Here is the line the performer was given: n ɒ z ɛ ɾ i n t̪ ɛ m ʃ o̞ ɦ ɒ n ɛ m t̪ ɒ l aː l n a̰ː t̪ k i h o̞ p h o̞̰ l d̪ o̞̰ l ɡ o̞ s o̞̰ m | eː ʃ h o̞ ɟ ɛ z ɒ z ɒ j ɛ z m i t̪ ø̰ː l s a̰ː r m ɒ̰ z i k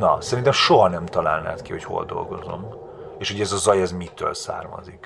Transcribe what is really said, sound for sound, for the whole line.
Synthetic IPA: n ɒ s ɛ ɾ i n t̪ ɛ m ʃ o̞ ɦ ɒ n ɛ m t̪ ɒ l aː l n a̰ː t̪ k i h o̞ c h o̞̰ l d̪ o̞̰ l ɡ o̞ z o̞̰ m | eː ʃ h o̞ ɟ ɛ z ɒ z ɒ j ɛ z m i t̪ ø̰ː l s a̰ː r m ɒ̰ z i k